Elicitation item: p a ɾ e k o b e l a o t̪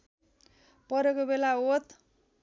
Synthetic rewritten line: p ʌ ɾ e k o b e l a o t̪